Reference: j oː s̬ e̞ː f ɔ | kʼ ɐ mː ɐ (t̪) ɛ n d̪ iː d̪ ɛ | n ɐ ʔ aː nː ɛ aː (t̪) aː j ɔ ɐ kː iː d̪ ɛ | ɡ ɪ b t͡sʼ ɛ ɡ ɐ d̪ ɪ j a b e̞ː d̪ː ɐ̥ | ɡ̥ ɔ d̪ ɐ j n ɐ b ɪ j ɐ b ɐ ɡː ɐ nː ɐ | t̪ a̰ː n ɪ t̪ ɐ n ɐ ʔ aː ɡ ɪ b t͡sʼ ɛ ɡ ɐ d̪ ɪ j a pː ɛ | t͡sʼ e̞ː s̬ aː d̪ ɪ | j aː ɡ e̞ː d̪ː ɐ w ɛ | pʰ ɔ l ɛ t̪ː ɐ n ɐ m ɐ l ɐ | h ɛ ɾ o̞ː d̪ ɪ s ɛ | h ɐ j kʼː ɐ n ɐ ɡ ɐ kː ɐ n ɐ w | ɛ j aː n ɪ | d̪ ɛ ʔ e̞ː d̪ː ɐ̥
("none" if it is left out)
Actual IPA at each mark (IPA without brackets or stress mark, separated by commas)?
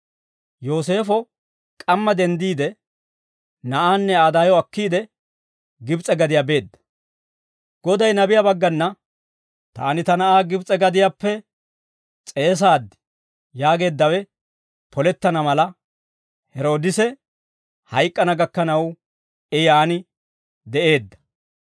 d̪, d̪